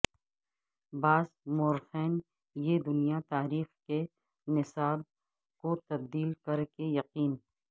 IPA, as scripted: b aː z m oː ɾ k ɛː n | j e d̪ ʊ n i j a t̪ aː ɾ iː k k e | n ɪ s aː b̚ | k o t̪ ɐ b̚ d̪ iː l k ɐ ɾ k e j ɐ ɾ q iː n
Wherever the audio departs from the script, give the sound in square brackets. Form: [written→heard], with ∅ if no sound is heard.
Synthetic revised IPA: b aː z m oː ɾ [k→x] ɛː n | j e d̪ ʊ n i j a t̪ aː ɾ iː [k→x] k e | n ɪ s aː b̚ | k o t̪ ɐ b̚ d̪ iː l k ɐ ɾ k e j ɐ [ɾ→∅] q iː n